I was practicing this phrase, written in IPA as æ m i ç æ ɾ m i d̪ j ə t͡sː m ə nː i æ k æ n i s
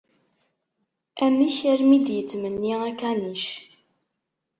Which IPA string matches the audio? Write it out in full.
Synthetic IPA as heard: æ m i ç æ ɾ m i d̪ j ə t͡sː m ə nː i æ k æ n i ʃ